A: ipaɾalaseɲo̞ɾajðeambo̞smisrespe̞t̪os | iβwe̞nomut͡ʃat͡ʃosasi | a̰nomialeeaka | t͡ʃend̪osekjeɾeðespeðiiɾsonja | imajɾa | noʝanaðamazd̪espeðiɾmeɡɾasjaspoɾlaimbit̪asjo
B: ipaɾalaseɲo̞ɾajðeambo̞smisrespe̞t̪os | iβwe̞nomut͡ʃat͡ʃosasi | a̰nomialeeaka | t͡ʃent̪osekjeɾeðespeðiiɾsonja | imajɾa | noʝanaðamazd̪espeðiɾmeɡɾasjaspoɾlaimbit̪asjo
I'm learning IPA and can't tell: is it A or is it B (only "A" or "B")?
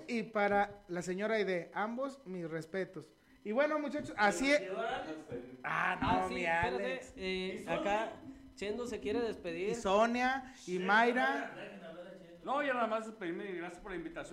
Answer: A